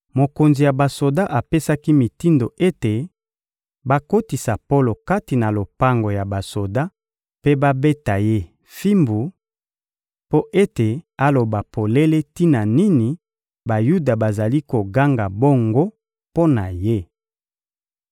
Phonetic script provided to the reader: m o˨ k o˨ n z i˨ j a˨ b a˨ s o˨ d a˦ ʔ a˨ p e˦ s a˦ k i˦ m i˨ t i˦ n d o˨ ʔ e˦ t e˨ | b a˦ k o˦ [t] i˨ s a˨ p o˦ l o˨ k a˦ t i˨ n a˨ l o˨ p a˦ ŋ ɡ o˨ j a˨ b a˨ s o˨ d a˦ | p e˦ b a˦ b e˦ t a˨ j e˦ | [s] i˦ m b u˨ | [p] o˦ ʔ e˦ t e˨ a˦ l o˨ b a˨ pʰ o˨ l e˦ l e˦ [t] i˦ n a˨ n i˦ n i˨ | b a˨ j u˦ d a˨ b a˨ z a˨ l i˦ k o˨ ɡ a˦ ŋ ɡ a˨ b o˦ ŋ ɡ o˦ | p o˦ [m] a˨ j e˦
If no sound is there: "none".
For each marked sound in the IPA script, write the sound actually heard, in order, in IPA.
t, f, p, t, n

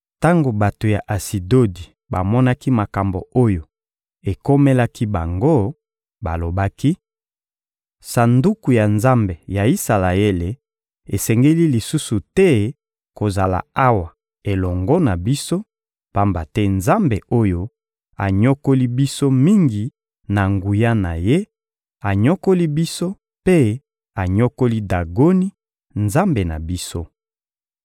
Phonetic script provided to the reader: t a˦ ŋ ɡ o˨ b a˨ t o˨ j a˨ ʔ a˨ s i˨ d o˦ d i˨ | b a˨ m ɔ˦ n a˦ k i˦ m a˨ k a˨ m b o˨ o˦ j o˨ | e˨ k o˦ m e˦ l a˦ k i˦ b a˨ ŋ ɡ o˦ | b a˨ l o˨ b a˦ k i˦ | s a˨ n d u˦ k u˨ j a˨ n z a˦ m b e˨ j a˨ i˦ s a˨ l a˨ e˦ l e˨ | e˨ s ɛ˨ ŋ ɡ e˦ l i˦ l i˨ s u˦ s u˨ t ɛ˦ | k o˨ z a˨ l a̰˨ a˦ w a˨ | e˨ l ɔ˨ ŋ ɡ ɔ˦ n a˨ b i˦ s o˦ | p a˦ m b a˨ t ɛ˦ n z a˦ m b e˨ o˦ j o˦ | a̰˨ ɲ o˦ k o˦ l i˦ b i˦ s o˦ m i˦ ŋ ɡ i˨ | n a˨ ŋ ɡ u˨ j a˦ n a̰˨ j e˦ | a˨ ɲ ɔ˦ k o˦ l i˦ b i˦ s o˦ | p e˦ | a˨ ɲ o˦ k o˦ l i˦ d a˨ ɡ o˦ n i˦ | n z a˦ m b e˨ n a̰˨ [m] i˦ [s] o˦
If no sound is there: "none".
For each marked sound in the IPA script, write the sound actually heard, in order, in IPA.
b, s

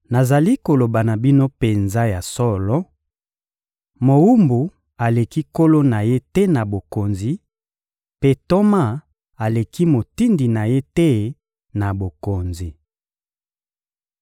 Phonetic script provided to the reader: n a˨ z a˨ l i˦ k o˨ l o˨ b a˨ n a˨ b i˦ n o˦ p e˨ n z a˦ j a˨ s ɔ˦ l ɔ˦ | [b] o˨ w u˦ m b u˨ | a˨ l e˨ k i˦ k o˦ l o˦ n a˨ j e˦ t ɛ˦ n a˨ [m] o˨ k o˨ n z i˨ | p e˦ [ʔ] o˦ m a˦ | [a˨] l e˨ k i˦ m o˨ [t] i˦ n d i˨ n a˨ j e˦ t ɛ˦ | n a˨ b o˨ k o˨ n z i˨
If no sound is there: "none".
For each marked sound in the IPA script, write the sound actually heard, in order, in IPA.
m, b, t, a˨, t

